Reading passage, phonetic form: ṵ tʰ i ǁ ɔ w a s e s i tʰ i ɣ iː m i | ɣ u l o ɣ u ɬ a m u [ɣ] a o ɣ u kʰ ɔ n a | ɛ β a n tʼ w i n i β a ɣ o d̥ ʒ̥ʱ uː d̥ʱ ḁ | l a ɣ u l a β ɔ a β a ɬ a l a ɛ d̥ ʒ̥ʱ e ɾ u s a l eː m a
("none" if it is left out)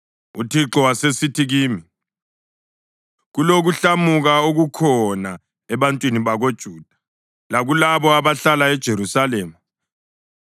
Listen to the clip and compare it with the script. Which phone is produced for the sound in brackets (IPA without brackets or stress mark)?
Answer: ɣ